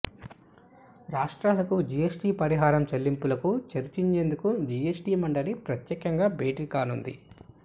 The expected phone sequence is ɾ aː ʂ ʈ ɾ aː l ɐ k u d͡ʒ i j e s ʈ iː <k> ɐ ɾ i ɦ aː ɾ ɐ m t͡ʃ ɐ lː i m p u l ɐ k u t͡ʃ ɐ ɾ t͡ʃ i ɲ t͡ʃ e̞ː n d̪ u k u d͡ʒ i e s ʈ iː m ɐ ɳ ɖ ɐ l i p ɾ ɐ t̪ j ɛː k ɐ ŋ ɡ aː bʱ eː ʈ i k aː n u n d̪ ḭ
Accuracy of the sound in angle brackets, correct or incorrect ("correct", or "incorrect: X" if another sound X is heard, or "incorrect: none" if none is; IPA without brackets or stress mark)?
incorrect: p